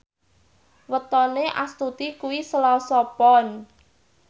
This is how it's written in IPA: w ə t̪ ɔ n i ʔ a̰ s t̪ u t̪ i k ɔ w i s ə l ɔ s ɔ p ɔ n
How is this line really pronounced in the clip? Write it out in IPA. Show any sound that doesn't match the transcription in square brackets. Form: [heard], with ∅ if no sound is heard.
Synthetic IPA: w ə t̪ ɔ n [e] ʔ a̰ s t̪ u t̪ i k [u] w i s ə l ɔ s ɔ p ɔ n

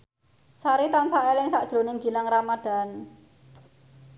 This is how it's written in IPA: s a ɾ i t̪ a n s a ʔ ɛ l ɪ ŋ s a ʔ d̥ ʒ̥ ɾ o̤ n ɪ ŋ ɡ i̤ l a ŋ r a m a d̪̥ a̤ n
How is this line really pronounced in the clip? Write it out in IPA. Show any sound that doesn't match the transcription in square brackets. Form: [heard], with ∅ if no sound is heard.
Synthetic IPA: s a ɾ i t̪ a n s a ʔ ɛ l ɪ ŋ s a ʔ d̥ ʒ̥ ɾ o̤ n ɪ ŋ ɡ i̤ l a ŋ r a m a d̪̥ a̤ n

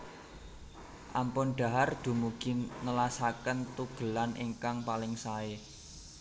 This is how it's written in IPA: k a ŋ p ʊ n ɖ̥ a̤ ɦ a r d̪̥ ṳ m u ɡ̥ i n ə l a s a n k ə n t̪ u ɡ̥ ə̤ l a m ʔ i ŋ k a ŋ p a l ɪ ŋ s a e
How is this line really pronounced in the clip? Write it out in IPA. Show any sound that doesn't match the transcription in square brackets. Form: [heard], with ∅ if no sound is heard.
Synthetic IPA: [ʔ] a [m] p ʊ n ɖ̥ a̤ ɦ a r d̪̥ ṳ m u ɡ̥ i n ə l a s a [∅] k ə n t̪ u ɡ̥ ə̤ l a [n] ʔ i ŋ k a ŋ p a l ɪ ŋ s a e

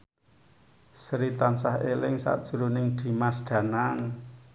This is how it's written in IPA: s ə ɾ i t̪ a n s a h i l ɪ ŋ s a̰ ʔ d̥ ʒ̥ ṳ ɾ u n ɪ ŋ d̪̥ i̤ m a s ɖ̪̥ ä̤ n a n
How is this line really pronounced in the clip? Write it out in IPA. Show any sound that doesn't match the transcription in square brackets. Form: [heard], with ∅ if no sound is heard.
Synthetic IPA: s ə ɾ i t̪ a n s a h [e] l ɪ ŋ s a̰ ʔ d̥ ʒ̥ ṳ ɾ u n ɪ ŋ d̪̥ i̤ m a s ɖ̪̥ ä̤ n a [ŋ]

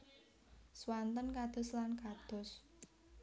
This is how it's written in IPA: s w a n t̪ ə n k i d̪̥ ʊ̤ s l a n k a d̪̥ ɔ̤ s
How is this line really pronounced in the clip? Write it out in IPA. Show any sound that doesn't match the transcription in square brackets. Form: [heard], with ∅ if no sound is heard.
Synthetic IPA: s w a n t̪ ə n k [a] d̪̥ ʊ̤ s l a n k a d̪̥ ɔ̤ s

